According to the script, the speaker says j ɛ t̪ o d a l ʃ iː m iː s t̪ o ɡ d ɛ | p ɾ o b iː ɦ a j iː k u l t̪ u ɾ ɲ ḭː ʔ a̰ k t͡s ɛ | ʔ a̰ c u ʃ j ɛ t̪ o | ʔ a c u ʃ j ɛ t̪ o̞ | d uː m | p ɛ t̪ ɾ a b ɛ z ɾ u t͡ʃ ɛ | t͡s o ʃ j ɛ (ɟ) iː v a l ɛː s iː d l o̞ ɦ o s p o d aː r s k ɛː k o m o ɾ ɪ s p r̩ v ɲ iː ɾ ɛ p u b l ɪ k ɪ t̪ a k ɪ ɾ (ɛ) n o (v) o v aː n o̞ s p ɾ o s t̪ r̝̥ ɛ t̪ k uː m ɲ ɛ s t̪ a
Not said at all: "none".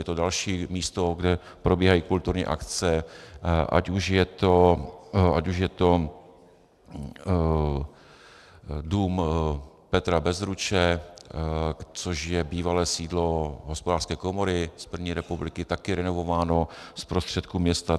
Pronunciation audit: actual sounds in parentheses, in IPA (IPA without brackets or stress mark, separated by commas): b, ɛ, v